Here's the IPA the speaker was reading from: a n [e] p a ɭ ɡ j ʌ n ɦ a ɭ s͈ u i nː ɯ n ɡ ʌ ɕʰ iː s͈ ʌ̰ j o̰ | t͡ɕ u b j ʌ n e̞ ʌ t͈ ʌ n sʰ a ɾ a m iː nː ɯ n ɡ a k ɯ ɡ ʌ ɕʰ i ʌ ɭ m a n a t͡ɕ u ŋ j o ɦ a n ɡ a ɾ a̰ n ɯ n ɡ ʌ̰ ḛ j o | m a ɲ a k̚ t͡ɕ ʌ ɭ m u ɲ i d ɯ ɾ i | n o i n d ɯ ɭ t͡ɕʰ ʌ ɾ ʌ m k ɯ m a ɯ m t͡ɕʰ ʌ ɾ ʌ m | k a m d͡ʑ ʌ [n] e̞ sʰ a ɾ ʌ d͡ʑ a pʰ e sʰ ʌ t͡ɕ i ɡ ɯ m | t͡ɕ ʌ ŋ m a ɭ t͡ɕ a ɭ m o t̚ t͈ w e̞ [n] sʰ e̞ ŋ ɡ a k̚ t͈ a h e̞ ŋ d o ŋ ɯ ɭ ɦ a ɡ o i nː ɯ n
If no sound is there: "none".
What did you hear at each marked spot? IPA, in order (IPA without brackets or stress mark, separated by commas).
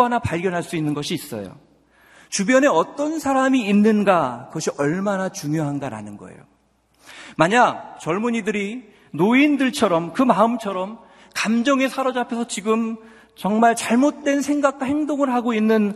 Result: a, ŋ, n